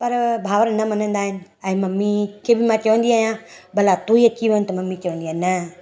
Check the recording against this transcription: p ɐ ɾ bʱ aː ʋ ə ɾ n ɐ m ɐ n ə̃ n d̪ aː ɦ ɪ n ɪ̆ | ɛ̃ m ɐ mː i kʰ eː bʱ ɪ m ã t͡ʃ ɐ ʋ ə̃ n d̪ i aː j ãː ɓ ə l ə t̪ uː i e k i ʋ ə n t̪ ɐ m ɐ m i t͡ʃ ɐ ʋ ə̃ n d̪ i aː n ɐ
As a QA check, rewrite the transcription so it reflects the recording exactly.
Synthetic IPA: p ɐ ɾ bʱ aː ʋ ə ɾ n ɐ m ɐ n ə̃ n d̪ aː ɦ ɪ n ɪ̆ | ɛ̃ m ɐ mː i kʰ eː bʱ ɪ m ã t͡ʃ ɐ ʋ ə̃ n d̪ i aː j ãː b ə l a t̪ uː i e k i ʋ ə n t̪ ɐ m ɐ m i t͡ʃ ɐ ʋ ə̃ n d̪ i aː n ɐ